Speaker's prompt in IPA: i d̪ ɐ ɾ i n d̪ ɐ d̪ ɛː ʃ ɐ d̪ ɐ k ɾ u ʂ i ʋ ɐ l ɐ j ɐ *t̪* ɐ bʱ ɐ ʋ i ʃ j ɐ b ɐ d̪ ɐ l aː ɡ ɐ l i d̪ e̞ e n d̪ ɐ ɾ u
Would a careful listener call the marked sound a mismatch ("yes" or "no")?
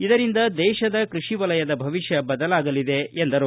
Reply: yes